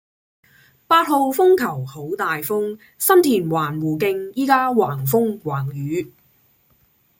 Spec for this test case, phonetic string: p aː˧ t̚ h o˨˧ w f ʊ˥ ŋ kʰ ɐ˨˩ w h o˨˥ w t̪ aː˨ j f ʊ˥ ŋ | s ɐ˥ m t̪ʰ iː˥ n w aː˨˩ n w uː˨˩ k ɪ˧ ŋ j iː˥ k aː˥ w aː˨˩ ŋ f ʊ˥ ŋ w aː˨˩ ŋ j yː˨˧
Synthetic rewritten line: p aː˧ t̚ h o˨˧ w f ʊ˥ ŋ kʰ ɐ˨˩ w h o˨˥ w t̪ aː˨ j f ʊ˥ ŋ | s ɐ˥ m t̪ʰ iː˨˩ n w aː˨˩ n w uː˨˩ k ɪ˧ ŋ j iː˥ k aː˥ w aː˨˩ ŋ f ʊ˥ ŋ w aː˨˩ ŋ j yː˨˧